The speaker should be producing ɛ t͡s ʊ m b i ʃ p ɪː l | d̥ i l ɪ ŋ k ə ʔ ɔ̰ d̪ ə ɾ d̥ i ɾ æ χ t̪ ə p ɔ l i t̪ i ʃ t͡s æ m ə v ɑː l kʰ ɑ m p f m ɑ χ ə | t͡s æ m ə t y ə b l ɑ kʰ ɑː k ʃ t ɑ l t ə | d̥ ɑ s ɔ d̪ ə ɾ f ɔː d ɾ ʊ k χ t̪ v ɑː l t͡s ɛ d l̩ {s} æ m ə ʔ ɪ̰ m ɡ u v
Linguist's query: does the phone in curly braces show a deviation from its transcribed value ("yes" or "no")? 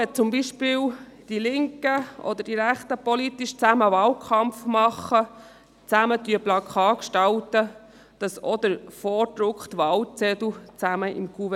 yes